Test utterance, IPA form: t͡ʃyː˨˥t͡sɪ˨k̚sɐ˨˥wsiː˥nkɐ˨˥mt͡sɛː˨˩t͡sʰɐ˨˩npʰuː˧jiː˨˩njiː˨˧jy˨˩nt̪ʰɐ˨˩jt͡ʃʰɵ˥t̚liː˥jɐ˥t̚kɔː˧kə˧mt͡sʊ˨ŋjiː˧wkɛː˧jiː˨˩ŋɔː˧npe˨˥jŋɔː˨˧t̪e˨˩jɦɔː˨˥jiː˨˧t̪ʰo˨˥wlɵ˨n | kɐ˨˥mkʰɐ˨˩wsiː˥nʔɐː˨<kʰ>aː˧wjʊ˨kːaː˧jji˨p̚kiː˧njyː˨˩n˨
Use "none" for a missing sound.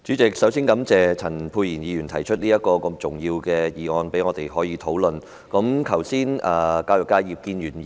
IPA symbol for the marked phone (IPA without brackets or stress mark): k